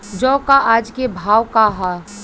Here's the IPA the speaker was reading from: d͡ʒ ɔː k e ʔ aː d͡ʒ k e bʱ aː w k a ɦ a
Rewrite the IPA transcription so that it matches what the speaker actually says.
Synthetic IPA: d͡ʒ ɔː k a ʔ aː d͡ʒ k e bʱ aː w k a ɦ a